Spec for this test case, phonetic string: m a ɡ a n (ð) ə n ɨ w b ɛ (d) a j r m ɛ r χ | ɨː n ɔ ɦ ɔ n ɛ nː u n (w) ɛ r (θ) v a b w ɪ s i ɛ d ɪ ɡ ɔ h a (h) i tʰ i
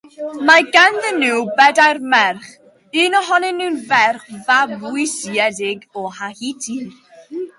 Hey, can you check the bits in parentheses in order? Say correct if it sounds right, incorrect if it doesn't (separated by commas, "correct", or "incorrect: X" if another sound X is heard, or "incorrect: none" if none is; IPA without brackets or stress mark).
correct, correct, incorrect: v, incorrect: χ, correct